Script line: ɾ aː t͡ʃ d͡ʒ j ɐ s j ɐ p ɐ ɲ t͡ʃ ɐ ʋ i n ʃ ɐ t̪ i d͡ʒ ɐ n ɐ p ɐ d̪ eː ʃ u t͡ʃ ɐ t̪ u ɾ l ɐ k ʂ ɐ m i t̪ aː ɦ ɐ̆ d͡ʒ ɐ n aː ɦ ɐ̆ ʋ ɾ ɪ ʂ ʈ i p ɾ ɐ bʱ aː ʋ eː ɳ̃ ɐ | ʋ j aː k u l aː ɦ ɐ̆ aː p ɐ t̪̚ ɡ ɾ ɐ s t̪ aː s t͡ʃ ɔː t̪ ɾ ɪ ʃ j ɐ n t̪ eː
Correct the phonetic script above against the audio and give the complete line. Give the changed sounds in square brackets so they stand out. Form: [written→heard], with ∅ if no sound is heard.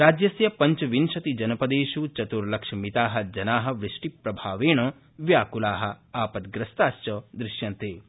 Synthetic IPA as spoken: ɾ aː [t͡ʃ→∅] d͡ʒ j ɐ s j ɐ p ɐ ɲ t͡ʃ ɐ ʋ i n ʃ ɐ t̪ i d͡ʒ ɐ n ɐ p ɐ d̪ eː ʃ u t͡ʃ ɐ t̪ u ɾ l ɐ k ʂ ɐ m i t̪ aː ɦ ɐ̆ d͡ʒ ɐ n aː ɦ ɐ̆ ʋ ɾ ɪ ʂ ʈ i p ɾ ɐ bʱ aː ʋ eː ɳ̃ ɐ | ʋ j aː k u l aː ɦ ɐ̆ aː p ɐ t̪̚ ɡ ɾ ɐ s t̪ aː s t͡ʃ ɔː [t̪→d̪] ɾ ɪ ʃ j ɐ n t̪ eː